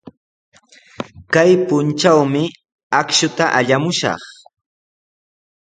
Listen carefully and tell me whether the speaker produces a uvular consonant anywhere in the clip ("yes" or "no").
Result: yes